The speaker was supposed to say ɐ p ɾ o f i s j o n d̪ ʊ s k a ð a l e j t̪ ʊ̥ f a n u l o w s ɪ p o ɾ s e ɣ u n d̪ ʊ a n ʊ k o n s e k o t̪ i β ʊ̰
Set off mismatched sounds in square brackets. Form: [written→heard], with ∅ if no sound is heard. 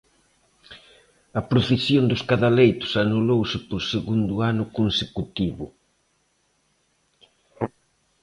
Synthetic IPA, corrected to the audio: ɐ p ɾ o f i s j o n d̪ ʊ s k a ð a l e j t̪ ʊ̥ [f→s] a n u l o w s ɪ p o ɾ s e ɣ u n d̪ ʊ a n ʊ k o n s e k [o→u] t̪ i β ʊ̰